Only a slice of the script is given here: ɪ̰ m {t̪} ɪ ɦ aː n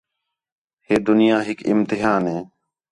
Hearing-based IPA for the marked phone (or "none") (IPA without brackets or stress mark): t̪